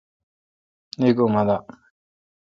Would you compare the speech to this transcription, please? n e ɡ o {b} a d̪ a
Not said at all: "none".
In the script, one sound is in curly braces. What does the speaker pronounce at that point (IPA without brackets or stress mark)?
m